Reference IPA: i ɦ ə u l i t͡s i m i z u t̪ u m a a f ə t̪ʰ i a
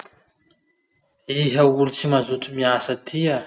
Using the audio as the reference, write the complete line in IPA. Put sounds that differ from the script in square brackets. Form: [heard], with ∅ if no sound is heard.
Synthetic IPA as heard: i ɦ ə u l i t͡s i m [a] z u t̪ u m [i] a [s] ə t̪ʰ i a